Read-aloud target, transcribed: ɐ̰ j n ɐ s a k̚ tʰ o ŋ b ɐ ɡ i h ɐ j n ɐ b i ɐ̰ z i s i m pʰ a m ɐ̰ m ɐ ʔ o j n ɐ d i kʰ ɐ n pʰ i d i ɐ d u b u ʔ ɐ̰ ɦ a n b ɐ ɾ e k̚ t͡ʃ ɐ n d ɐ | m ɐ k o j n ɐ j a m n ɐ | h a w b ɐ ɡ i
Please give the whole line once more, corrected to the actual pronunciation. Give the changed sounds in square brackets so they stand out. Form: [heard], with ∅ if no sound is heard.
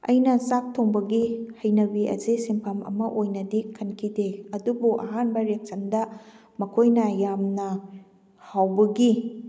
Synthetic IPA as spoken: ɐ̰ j n ɐ s a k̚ tʰ o ŋ b ɐ ɡ i h ɐ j n ɐ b i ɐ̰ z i s i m pʰ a m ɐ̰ m ɐ ʔ o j n ɐ d i kʰ ɐ n [kʰ] i d [e] ɐ d u b u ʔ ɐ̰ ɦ a n b ɐ ɾ e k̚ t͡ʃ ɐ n d ɐ | m ɐ [kʰ] o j n ɐ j a m n ɐ | h a w b ɐ ɡ i